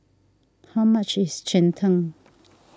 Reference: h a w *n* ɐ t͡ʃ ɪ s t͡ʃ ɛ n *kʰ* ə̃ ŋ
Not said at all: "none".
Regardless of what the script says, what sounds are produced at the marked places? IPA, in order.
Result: m, tʰ

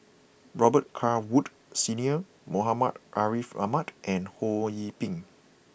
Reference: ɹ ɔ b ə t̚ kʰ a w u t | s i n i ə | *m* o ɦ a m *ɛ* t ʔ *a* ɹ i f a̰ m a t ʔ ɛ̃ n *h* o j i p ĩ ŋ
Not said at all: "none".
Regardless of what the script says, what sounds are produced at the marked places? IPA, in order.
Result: m, a, a, h

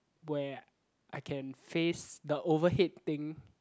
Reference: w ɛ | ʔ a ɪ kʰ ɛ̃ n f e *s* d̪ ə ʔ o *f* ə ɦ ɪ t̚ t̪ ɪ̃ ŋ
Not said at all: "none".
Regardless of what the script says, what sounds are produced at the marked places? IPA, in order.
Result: s, v

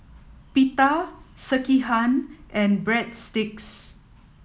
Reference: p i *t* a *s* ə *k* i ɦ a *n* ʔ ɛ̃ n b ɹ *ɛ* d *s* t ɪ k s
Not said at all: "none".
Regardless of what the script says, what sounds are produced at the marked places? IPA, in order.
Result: t, s, k, n, ɛ, s

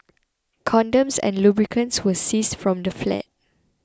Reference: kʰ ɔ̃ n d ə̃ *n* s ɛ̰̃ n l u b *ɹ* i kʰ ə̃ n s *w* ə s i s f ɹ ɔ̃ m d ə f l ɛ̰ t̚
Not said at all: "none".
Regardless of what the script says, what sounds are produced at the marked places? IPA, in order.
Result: m, ɹ, w

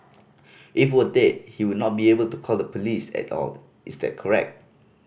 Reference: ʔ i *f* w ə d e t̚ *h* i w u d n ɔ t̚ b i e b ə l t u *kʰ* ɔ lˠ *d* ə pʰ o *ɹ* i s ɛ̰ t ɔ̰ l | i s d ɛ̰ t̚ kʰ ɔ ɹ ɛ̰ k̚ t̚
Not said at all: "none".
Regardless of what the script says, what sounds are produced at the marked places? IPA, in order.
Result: f, h, kʰ, d, l

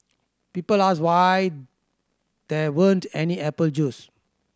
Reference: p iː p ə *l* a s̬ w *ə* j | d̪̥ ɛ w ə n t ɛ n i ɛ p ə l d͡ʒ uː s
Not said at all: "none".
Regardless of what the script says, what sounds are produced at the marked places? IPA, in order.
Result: l, a

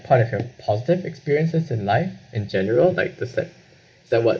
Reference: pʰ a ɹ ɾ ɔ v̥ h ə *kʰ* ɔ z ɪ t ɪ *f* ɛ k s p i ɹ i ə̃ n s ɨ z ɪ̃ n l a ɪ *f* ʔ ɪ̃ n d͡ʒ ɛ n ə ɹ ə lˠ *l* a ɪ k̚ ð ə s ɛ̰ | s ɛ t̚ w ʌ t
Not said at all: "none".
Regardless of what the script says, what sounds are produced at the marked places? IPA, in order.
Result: pʰ, v, f, l

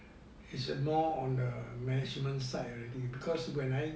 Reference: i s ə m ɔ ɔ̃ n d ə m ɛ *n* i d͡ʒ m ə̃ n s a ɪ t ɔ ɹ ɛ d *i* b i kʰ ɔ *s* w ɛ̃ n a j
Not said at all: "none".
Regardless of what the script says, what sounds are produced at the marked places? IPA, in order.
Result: n, i, s

